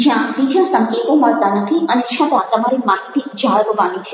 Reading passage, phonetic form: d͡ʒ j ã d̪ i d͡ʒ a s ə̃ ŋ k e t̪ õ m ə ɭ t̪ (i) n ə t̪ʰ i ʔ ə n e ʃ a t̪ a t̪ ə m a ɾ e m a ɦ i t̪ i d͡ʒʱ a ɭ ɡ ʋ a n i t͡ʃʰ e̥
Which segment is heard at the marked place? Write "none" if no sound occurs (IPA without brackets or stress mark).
a